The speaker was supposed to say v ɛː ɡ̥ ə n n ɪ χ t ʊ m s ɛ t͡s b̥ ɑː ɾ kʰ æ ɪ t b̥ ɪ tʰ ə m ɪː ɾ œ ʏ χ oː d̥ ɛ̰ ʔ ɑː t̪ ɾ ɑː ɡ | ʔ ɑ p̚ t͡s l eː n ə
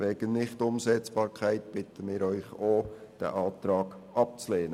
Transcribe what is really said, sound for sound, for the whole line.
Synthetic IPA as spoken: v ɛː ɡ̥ ə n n ɪ χ t ʊ m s ɛ t͡s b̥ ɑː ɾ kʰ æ ɪ t b̥ ɪ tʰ ə m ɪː ɾ œ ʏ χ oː d̥ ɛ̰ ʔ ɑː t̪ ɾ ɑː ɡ | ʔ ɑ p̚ t͡s l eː n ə